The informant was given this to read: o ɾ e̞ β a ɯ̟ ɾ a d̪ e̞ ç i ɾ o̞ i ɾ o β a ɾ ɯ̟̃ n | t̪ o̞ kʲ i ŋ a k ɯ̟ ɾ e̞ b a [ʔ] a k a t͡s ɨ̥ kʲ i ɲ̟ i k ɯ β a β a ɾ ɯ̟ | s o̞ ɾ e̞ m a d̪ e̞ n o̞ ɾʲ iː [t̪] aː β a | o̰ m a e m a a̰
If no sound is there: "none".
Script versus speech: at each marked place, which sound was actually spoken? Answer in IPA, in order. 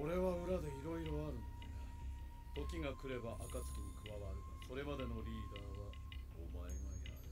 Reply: ʔ, d̪

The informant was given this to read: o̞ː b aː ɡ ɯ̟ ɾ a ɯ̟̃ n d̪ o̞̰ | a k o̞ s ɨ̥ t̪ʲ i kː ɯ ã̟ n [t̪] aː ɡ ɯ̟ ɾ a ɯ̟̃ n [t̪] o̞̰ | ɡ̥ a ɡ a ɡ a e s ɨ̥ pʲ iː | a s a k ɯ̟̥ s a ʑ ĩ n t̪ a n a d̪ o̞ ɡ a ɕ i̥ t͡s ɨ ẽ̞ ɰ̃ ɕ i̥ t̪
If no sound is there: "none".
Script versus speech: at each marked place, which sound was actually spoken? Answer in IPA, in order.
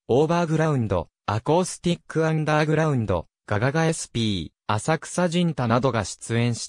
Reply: d̪, d̪

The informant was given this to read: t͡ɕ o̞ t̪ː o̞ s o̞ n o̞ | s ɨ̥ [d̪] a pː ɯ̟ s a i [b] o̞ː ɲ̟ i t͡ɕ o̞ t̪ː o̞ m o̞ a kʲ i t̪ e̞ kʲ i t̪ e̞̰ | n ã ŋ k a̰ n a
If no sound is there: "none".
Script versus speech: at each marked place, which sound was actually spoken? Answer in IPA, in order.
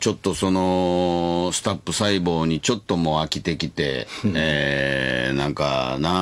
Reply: t̪, b

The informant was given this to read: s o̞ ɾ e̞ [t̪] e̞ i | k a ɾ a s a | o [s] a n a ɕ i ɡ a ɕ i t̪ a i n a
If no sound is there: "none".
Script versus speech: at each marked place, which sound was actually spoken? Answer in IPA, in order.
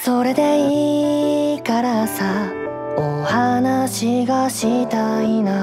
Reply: d̪, h

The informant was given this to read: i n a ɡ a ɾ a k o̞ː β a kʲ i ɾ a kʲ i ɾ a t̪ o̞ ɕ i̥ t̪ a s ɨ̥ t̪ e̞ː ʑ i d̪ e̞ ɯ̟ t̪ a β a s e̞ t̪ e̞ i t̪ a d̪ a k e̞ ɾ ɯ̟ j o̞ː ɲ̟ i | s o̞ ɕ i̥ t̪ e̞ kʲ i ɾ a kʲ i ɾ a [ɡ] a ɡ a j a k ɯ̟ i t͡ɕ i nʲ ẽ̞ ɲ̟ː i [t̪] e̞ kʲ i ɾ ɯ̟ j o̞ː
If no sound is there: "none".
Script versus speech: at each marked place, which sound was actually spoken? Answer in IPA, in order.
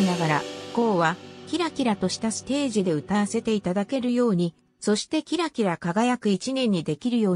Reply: k, d̪

